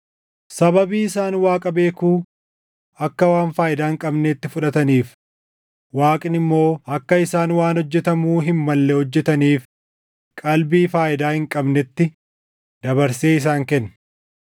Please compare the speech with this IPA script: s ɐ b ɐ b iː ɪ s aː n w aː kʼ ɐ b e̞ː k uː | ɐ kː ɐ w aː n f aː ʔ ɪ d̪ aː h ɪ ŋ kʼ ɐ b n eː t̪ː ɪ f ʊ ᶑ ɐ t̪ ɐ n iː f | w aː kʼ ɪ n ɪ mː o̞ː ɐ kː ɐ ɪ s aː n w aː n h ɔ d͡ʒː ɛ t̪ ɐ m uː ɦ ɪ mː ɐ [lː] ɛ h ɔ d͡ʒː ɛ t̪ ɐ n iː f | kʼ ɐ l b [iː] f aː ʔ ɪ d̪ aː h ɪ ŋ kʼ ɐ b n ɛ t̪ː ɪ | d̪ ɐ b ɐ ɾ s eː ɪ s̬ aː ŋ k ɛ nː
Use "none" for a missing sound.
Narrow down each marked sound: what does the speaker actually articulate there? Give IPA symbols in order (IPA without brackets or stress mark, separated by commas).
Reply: lː, iː